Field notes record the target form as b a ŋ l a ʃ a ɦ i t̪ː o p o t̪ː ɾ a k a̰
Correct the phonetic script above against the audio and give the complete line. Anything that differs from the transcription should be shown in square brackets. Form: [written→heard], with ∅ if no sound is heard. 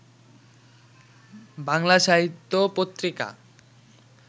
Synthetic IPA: b a ŋ l a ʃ a ɦ i t̪ː o p o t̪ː ɾ [a→i] k a̰